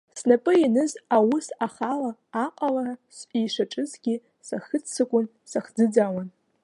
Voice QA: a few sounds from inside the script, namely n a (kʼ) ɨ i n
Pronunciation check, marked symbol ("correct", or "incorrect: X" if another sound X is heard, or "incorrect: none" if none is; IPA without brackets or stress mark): incorrect: pʼ